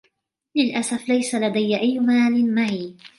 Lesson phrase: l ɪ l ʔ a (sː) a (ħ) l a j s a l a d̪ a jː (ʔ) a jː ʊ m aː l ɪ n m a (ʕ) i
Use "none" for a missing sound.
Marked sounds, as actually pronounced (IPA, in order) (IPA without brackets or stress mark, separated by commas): s, f, ʔ, ʕ